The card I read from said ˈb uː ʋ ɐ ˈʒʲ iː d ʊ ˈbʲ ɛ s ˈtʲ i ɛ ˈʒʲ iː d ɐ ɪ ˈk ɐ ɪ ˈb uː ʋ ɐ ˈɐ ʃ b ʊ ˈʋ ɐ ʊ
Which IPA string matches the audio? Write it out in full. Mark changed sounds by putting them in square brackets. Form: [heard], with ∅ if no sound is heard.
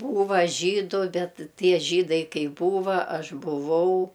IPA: ˈb uː ʋ ɐ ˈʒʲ iː d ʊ ˈbʲ ɛ [t] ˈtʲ i ɛ ˈʒʲ iː d ɐ ɪ ˈk ɐ ɪ ˈb uː ʋ ɐ ˈɐ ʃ b ʊ ˈʋ ɐ ʊ

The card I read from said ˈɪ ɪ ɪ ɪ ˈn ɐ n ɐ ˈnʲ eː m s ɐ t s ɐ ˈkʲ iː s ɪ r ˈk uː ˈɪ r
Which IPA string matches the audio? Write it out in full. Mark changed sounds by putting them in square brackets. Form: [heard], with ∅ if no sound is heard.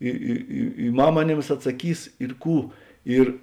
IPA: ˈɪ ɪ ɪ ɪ [ˈm] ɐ [m] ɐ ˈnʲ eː m s ɐ t s ɐ ˈkʲ iː s ɪ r ˈk uː ˈɪ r

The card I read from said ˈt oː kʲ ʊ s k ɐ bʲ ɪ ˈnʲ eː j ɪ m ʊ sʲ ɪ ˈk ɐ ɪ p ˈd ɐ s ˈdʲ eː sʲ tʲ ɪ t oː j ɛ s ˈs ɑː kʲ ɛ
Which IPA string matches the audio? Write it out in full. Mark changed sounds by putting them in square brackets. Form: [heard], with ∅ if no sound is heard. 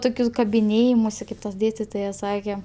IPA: ˈt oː kʲ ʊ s k ɐ bʲ ɪ ˈnʲ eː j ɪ m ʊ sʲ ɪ ˈk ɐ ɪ p [ˈt] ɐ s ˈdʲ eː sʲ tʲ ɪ t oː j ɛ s ˈs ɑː kʲ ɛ

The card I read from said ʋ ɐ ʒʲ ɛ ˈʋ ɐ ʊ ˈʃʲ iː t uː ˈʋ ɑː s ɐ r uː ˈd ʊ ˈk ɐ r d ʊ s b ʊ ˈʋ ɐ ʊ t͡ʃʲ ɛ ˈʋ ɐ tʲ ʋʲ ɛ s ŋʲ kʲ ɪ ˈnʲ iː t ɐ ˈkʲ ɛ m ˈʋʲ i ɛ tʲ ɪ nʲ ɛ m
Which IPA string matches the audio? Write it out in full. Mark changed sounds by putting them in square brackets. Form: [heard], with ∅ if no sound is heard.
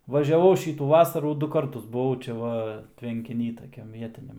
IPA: ʋ ɐ ʒʲ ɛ ˈʋ ɐ ʊ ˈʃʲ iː t uː ˈʋ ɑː s ɐ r uː ˈd ʊ ˈk ɐ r [t] ʊ s b ʊ ˈʋ ɐ ʊ t͡ʃʲ ɛ ˈʋ ɐ tʲ ʋʲ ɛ [∅] ŋʲ kʲ ɪ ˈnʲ iː t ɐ ˈkʲ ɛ m ˈʋʲ i ɛ tʲ ɪ nʲ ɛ m

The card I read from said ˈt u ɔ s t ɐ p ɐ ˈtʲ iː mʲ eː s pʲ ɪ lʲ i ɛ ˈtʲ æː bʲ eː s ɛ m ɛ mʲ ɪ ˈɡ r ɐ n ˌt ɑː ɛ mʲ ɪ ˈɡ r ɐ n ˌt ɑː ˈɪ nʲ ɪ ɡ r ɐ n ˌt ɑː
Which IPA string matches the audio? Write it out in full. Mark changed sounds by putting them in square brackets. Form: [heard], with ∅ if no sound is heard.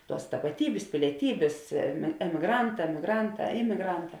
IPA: ˈt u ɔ s t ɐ p ɐ ˈtʲ iː [bʲ] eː s pʲ ɪ lʲ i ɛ ˈtʲ [iː] bʲ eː s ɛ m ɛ mʲ ɪ ˈɡ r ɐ n ˌt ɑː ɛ mʲ ɪ ˈɡ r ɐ n ˌt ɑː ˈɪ [mʲ] ɪ ɡ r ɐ n ˌt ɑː

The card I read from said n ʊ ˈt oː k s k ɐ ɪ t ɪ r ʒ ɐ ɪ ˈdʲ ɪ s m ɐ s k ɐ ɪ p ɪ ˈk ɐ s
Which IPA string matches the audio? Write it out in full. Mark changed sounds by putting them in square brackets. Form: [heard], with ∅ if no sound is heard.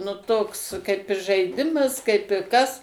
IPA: n ʊ ˈt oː k s k ɐ ɪ [p] ɪ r ʒ ɐ ɪ ˈdʲ ɪ [∅] m ɐ s k ɐ ɪ p ɪ ˈk ɐ s

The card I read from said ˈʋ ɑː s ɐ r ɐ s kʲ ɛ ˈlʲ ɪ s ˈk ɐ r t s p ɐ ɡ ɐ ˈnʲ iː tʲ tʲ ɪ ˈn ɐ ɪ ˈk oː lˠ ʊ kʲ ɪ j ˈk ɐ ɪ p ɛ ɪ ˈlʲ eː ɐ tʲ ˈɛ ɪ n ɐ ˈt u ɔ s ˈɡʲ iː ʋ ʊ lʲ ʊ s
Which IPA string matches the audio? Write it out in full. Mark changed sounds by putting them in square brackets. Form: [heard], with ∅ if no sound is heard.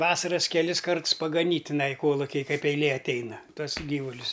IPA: ˈʋ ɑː s ɐ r ɐ s kʲ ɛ ˈlʲ ɪ s ˈk ɐ r t s p ɐ ɡ ɐ ˈnʲ iː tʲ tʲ ɪ ˈn ɐ ɪ ˈk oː lˠ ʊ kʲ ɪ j ˈk ɐ ɪ p ɛ ɪ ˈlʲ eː ɐ tʲ ˈɛ ɪ n ɐ ˈt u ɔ s ˈɡʲ iː ʋ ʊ lʲ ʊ s

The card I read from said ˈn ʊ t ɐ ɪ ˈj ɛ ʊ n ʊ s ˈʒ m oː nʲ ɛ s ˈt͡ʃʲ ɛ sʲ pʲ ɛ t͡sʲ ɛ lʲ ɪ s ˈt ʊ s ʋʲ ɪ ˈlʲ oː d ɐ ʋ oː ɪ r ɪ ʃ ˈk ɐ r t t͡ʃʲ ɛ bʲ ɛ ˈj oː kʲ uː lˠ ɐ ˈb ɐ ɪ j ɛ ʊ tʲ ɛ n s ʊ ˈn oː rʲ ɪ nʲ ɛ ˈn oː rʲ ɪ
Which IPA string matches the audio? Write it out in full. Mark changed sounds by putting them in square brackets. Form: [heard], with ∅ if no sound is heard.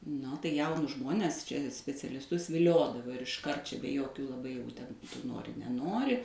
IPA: ˈn ʊ t ɐ ɪ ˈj ɛ ʊ n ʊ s ˈʒ m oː nʲ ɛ s ˈt͡ʃʲ ɛ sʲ pʲ ɛ t͡sʲ ɛ lʲ ɪ s ˈt ʊ s ʋʲ ɪ ˈlʲ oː d ɐ ʋ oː ɪ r ɪ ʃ ˈk ɐ r t t͡ʃʲ ɛ bʲ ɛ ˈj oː kʲ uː lˠ ɐ ˈb ɐ ɪ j ɛ ʊ tʲ ɛ n [t] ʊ ˈn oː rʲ ɪ nʲ ɛ ˈn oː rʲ ɪ

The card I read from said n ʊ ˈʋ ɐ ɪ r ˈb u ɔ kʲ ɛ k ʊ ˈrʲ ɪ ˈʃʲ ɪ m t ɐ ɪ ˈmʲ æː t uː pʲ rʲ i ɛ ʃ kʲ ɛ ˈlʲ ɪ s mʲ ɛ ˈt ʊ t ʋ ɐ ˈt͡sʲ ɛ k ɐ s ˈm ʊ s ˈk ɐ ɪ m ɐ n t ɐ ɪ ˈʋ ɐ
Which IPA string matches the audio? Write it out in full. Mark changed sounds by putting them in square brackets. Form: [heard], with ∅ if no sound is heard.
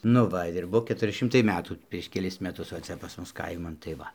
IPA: n ʊ ˈʋ ɐ ɪ r ˈb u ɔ kʲ ɛ [t] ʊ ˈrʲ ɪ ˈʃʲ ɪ m t ɐ ɪ ˈmʲ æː t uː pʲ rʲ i ɛ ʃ kʲ ɛ ˈlʲ ɪ s mʲ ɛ ˈt ʊ [s] ʋ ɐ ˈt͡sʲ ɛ [p] ɐ s ˈm ʊ s ˈk ɐ ɪ m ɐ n t ɐ ɪ ˈʋ ɐ

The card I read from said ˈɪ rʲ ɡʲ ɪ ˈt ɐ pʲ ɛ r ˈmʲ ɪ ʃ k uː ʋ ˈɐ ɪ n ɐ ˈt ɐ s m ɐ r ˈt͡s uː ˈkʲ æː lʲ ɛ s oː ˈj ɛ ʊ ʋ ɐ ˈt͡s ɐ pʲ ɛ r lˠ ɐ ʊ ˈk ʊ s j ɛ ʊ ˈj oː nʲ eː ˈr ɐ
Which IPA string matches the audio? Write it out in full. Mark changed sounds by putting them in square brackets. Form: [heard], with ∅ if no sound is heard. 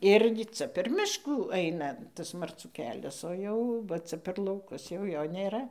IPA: ˈɪ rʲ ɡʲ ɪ [ˈt͡s] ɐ pʲ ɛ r ˈmʲ ɪ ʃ k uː [∅] ˈɐ ɪ n ɐ ˈt ɐ s m ɐ r ˈt͡s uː ˈkʲ æː lʲ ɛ s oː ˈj ɛ ʊ ʋ ɐ ˈt͡s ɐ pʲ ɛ r lˠ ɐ ʊ ˈk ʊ s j ɛ ʊ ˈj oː nʲ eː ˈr ɐ

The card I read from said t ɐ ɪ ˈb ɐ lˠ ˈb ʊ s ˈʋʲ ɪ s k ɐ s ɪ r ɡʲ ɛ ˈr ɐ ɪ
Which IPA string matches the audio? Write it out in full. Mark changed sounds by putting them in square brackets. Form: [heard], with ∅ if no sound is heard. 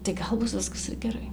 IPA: t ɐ ɪ [ˈɡ] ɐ lˠ ˈb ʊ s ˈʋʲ ɪ s k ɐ s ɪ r ɡʲ ɛ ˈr ɐ ɪ

